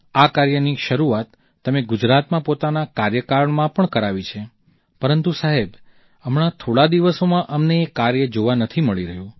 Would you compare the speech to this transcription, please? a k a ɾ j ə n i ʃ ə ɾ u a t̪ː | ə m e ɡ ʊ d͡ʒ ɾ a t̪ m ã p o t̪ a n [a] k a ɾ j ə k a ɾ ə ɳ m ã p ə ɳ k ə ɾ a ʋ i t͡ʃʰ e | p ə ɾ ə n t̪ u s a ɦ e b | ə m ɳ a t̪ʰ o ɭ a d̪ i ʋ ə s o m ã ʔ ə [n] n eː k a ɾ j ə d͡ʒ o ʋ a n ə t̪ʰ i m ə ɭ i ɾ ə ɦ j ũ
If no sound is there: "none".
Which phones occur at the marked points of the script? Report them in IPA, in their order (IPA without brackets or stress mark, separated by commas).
a, m